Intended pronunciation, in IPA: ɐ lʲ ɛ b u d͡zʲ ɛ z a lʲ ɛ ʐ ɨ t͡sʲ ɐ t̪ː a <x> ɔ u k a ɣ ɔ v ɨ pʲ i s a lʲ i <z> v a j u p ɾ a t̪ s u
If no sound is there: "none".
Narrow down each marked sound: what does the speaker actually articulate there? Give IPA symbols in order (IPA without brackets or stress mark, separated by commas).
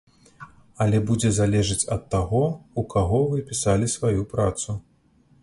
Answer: ɣ, s